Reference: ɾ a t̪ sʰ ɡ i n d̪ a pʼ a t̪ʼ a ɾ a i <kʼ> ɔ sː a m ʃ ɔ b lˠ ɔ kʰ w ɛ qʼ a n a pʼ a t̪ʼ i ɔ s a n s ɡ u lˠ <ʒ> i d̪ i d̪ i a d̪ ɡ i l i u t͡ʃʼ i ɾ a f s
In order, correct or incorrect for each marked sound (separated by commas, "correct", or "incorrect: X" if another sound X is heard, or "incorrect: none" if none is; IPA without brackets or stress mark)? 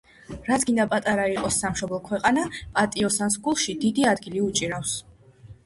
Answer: incorrect: qʼ, incorrect: ʃ